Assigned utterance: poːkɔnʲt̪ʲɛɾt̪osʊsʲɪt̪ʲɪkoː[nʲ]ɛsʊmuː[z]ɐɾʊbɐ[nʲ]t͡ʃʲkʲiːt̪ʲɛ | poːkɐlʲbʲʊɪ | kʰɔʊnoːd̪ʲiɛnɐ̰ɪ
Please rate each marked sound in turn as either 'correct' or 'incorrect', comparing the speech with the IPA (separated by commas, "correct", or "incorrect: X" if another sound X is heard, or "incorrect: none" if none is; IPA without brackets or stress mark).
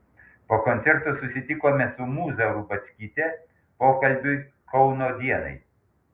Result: incorrect: mʲ, correct, incorrect: none